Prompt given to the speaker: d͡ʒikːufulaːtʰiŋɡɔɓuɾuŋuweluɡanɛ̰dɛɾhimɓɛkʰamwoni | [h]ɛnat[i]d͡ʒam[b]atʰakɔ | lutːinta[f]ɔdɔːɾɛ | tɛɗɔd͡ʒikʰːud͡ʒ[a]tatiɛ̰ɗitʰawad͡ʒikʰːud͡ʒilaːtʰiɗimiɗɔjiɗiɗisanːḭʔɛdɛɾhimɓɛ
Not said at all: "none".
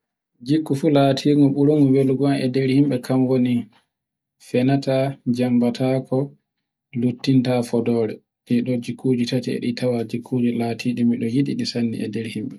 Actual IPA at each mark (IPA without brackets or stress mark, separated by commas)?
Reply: f, a, b, f, i